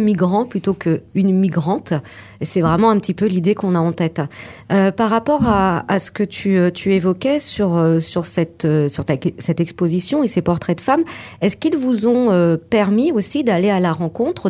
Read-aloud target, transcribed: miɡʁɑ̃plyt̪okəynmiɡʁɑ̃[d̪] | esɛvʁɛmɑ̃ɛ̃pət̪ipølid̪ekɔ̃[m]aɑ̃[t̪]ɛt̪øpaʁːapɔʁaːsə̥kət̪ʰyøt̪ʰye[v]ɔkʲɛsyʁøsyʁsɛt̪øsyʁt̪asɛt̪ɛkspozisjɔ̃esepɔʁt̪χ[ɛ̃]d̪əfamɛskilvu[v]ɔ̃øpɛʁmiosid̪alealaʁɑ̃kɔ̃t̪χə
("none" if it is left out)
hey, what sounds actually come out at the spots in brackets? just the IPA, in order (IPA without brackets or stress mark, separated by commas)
t̪, n, t̪, v, ɛ, z